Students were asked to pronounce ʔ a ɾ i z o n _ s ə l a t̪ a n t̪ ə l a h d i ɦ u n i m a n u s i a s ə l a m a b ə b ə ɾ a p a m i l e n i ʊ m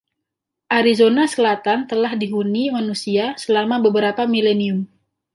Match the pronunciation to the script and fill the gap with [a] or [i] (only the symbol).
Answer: a